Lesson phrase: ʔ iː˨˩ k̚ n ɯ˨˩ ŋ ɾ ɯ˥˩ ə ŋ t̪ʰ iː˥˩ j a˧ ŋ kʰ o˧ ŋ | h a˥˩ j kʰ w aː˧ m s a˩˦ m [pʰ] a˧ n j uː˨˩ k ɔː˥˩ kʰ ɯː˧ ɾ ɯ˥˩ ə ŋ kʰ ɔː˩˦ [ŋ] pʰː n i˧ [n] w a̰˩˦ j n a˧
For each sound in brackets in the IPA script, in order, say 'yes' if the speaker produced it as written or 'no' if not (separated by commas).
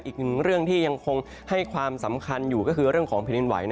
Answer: no, yes, yes